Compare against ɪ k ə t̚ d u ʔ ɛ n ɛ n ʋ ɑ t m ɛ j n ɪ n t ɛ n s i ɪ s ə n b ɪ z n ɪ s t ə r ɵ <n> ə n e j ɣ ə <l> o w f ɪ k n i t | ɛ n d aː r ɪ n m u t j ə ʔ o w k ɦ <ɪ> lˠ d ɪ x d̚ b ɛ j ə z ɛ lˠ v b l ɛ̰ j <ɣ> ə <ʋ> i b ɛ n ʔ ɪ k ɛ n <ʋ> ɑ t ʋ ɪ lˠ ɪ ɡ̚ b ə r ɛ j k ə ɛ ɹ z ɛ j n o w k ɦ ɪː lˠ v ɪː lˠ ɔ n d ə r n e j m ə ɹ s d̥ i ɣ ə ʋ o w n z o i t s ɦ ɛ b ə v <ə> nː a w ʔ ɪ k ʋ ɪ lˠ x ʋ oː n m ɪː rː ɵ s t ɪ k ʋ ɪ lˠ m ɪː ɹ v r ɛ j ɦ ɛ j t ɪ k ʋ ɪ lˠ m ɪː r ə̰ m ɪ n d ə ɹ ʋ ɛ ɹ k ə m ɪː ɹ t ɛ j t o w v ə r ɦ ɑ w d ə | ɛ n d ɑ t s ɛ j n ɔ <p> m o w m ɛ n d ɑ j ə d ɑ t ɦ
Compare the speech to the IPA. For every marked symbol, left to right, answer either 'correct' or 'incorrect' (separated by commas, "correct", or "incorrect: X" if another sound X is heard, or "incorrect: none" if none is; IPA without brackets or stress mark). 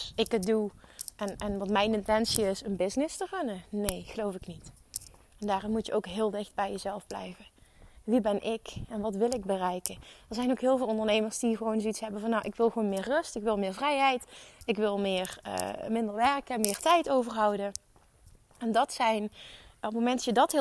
correct, correct, incorrect: ɪː, incorrect: v, correct, correct, incorrect: ɑ, correct